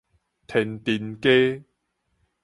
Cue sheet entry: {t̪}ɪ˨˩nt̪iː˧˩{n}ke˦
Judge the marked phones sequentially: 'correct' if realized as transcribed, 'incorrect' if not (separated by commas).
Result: incorrect, correct